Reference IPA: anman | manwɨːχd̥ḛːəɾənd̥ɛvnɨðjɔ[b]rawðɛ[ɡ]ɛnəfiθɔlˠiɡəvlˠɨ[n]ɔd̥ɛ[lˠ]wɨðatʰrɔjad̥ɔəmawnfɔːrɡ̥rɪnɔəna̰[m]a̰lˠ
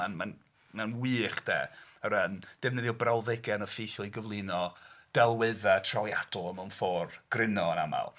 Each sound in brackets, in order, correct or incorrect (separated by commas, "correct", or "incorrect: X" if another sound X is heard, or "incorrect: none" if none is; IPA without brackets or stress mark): correct, correct, correct, correct, correct